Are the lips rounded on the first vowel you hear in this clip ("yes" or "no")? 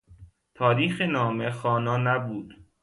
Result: yes